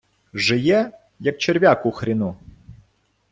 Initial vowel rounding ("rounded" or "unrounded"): unrounded